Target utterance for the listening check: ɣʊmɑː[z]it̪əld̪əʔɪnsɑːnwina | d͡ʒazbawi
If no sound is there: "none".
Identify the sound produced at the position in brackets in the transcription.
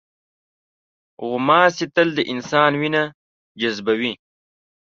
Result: s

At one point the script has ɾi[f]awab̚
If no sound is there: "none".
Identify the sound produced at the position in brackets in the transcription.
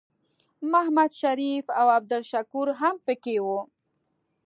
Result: f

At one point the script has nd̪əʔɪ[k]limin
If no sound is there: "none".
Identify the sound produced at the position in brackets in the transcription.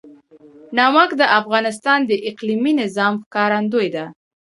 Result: q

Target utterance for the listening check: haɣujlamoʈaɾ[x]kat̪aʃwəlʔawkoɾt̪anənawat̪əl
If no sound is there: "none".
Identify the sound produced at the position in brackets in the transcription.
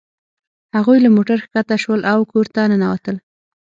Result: x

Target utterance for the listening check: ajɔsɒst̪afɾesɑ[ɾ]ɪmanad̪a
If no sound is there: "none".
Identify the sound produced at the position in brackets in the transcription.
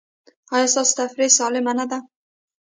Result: l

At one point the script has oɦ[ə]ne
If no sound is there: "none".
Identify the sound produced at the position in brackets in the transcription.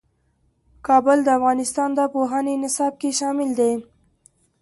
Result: ɑ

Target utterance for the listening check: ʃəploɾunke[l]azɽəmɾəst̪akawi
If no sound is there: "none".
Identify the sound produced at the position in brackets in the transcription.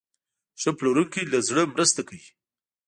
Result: l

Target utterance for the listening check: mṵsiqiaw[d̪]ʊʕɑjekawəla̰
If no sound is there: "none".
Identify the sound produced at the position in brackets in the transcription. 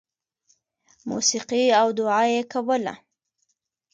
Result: d̪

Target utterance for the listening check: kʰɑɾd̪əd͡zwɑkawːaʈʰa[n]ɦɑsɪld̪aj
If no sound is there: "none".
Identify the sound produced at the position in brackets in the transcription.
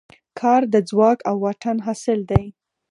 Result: n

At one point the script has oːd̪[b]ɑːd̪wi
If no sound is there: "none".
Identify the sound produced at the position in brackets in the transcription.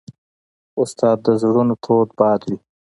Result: b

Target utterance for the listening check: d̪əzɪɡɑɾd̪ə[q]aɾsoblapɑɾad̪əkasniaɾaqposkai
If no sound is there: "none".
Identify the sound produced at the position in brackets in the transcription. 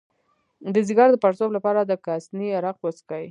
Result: p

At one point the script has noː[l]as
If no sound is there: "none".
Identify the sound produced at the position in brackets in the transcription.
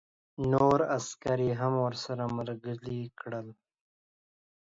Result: ɾ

